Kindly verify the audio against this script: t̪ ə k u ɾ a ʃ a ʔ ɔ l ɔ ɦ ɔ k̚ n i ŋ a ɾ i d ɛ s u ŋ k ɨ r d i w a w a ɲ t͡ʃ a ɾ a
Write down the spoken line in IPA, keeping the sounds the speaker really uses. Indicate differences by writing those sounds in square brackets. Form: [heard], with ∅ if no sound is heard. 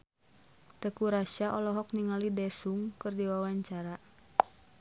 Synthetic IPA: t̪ ə k u ɾ a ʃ a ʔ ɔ l ɔ ɦ ɔ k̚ n i ŋ a [l] i d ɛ s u ŋ k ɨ r d i w a w a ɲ t͡ʃ a ɾ a